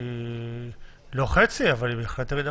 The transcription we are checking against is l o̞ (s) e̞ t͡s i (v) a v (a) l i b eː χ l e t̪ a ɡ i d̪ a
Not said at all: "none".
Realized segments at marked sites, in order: χ, none, a

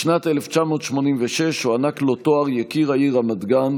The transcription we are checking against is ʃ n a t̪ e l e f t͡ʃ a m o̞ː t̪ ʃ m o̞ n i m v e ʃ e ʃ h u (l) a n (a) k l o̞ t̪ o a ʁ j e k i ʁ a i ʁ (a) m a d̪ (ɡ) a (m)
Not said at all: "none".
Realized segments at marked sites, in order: none, a, a, ɡ, n

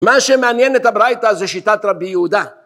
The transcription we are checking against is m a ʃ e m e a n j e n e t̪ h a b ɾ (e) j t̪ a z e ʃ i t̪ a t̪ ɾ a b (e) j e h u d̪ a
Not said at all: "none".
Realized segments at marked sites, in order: a, i

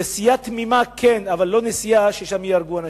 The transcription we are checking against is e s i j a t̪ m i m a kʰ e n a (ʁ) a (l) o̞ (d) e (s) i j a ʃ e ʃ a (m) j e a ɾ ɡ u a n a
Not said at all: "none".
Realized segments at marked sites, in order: v, lː, n, s, m

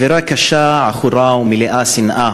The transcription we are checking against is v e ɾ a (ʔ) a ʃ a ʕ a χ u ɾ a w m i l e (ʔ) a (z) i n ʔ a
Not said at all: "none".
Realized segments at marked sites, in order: k, ʔ, s

